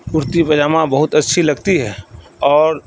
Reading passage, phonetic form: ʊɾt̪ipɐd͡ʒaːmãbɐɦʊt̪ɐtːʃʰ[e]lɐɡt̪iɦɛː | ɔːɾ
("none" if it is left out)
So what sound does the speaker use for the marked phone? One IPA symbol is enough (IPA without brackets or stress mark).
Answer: i